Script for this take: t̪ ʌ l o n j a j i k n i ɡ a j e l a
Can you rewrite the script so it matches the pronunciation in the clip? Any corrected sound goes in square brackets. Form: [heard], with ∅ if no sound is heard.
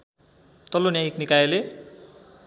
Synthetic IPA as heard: t̪ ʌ l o n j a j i k n i [k] a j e l [e]